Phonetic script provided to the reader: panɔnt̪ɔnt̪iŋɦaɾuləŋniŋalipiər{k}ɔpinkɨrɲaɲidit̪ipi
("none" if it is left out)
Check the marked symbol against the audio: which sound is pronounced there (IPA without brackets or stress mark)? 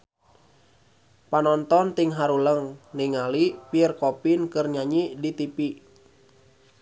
k